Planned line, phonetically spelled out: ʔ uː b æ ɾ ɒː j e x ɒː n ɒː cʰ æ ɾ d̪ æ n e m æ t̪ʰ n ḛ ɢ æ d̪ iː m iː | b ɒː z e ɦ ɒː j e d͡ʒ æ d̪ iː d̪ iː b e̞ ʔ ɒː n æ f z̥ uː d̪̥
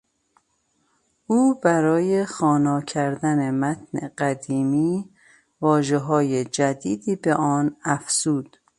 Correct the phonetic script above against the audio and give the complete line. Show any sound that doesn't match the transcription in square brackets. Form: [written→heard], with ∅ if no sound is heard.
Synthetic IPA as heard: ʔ uː b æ ɾ ɒː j e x ɒː n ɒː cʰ æ ɾ d̪ æ n e m æ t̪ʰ n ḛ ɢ æ d̪ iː m iː | [b→v] ɒː [z→ʒ] e ɦ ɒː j e d͡ʒ æ d̪ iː d̪ iː b e̞ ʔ ɒː n æ f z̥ uː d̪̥

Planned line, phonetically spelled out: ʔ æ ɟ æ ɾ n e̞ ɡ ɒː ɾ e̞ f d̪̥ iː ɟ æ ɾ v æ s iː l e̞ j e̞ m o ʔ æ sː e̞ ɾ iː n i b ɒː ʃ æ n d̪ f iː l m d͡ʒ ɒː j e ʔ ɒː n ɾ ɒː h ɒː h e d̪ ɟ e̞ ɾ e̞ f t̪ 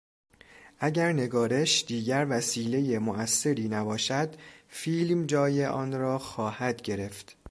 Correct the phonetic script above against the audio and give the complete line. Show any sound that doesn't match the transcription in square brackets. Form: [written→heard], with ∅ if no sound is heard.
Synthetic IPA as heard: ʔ æ ɟ æ ɾ n e̞ ɡ ɒː ɾ e̞ [f→ʃ] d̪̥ iː ɟ æ ɾ v æ s iː l e̞ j e̞ m o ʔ æ sː e̞ ɾ iː n [i→æ] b ɒː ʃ æ [n→∅] d̪ f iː l m d͡ʒ ɒː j e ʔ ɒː n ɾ ɒː [h→x] ɒː h [e→æ] d̪ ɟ e̞ ɾ e̞ f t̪

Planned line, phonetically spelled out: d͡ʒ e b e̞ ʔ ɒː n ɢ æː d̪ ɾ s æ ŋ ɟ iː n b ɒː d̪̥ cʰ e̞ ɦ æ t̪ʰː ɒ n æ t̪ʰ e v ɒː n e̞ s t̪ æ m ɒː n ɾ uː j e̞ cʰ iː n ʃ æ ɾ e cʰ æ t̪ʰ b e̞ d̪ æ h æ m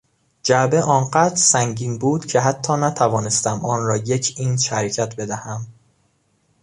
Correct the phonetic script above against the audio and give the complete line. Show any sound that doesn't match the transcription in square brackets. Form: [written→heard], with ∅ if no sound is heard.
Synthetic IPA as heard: d͡ʒ [e→æ] b e̞ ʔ ɒː n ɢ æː d̪ ɾ s æ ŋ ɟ iː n b [ɒː→uː] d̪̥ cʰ e̞ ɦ æ t̪ʰː [ɒ→ɒː] n æ t̪ʰ [e→æ] v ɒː n e̞ s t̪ æ m ɒː n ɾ [uː→ɒː] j e̞ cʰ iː n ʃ æ ɾ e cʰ æ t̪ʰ b e̞ d̪ æ h æ m

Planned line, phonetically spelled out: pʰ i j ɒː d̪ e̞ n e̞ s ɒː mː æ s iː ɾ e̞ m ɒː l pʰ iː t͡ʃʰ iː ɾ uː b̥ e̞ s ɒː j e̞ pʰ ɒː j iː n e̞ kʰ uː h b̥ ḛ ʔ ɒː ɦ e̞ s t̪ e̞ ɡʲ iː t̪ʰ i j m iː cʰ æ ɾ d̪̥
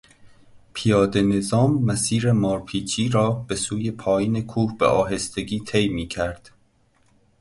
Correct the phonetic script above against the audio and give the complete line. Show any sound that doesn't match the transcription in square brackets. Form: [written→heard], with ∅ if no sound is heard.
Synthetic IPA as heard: pʰ i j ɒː d̪ e̞ n e̞ [s→z] ɒː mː æ s iː ɾ e̞ m ɒː [l→ɾ] pʰ iː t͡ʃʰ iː ɾ [uː→ɒː] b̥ e̞ s [ɒː→uː] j e̞ pʰ ɒː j iː n e̞ kʰ uː h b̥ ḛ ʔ ɒː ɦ e̞ s t̪ e̞ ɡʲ iː t̪ʰ [i→e] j m iː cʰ æ ɾ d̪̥

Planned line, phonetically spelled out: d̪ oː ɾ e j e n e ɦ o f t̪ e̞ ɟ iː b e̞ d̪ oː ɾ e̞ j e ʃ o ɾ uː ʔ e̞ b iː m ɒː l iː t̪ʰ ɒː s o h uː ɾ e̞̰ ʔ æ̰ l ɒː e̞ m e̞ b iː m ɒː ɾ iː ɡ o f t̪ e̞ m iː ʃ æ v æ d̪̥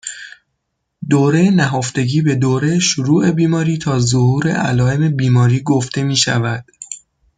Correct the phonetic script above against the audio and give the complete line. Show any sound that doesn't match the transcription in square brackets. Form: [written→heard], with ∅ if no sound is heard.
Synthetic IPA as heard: d̪ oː ɾ e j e n [e→æ] ɦ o f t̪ e̞ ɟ iː b e̞ d̪ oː ɾ e̞ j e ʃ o ɾ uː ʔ e̞ b iː m ɒː [l→ɾ] iː t̪ʰ ɒː [s→z] o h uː ɾ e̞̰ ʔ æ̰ l ɒː e̞ m e̞ b iː m ɒː ɾ iː ɡ o f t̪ e̞ m iː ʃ æ v æ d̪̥

